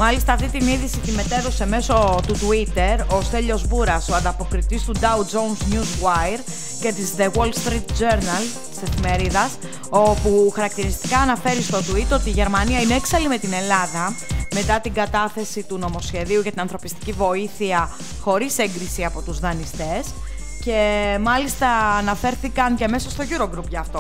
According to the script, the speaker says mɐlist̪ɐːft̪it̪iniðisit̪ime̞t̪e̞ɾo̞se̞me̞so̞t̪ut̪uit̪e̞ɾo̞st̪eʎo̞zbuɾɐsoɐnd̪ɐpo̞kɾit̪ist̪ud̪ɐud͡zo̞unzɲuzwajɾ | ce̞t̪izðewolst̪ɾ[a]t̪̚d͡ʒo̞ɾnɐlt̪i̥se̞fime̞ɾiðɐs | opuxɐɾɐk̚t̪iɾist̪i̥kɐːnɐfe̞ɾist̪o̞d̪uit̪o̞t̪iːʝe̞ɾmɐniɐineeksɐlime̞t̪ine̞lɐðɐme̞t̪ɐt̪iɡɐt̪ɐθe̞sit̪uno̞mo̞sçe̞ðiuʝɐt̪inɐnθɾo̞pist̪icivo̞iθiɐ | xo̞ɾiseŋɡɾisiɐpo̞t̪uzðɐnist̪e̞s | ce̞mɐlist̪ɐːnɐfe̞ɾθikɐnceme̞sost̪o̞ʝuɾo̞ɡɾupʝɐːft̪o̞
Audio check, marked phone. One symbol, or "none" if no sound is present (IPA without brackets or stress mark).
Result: i